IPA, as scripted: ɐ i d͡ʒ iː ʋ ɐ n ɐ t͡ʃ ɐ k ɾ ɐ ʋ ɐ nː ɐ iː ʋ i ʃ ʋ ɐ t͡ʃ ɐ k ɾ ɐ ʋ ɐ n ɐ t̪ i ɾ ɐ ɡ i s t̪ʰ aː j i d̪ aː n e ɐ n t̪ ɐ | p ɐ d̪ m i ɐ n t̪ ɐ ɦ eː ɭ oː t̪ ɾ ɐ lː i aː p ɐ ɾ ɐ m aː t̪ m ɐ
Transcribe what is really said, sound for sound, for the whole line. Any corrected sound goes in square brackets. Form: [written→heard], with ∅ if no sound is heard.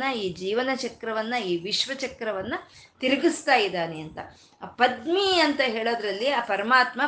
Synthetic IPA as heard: ɐ [i→iː] d͡ʒ iː ʋ ɐ n ɐ t͡ʃ ɐ k ɾ ɐ ʋ ɐ nː ɐ iː ʋ i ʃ ʋ ɐ t͡ʃ ɐ k ɾ ɐ ʋ ɐ [n→nː] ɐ t̪ i ɾ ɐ ɡ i s [t̪ʰ→t̪] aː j i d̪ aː n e ɐ n t̪ ɐ | p ɐ d̪ m i ɐ n t̪ ɐ ɦ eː ɭ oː [t̪→d̪] ɾ ɐ lː i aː p ɐ ɾ ɐ m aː t̪ m ɐ